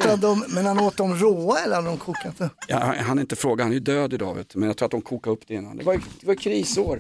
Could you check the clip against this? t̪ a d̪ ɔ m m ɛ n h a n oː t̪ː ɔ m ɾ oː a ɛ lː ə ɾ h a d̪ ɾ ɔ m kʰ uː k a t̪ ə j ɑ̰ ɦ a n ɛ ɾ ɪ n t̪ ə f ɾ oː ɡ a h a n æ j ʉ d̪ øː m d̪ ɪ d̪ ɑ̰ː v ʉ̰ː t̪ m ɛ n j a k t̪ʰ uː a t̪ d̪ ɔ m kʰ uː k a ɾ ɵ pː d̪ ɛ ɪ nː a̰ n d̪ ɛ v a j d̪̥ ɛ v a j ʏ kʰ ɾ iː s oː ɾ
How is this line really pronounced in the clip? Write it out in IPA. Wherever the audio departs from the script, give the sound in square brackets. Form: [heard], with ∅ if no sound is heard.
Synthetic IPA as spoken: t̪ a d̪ ɔ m m ɛ n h a n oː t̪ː ɔ m ɾ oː a ɛ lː ə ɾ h a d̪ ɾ ɔ m kʰ uː k a t̪ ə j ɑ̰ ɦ a n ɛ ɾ ɪ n t̪ ə f ɾ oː ɡ a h a n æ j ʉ d̪ øː [∅] d̪ ɪ d̪ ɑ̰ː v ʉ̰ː t̪ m ɛ n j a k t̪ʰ uː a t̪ d̪ ɔ m kʰ uː k a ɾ ɵ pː d̪ ɛ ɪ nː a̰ n d̪ ɛ v a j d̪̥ ɛ v a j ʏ kʰ ɾ iː s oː ɾ